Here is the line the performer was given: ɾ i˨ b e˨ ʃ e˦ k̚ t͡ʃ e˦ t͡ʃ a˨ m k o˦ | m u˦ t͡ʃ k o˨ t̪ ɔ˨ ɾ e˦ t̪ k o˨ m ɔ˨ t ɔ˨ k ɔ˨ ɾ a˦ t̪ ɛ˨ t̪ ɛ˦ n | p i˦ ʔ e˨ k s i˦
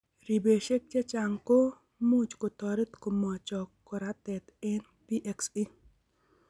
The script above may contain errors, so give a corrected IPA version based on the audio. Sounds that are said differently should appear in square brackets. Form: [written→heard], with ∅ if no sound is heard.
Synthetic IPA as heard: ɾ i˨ b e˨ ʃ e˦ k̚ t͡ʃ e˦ t͡ʃ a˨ [m→ŋ] k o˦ | m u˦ t͡ʃ k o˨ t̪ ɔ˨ ɾ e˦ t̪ k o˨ m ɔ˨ [t→t͡ʃ] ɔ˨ k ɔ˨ ɾ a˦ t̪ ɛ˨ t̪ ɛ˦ n | p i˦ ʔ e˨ k s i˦